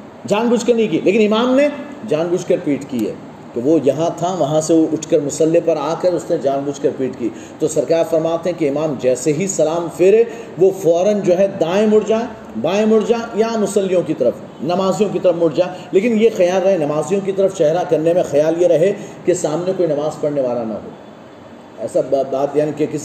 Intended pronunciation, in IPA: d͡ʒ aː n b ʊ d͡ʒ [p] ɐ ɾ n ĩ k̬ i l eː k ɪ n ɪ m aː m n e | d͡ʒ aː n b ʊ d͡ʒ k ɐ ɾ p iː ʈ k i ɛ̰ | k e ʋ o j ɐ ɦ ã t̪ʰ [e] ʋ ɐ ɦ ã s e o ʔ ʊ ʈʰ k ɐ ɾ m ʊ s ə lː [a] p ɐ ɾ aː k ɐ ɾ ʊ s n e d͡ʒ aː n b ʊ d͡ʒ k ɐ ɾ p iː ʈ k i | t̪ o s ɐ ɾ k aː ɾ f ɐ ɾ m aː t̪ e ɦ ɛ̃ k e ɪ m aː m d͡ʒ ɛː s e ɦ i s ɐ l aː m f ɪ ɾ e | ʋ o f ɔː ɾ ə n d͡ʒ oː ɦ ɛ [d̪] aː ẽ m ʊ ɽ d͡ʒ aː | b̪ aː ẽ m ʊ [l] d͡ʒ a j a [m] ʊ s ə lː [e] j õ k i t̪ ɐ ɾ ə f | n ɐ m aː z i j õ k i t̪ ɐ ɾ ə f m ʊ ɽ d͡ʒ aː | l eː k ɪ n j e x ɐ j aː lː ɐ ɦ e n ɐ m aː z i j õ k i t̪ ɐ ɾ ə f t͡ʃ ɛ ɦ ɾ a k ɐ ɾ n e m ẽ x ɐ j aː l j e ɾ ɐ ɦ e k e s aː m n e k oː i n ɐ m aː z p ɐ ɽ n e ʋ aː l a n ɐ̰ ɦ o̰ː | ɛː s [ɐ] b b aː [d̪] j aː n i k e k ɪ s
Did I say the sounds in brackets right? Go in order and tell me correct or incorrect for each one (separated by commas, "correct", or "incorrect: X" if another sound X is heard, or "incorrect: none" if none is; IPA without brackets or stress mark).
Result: incorrect: k, incorrect: a, incorrect: e, correct, incorrect: ɽ, correct, incorrect: i, incorrect: a, incorrect: t̪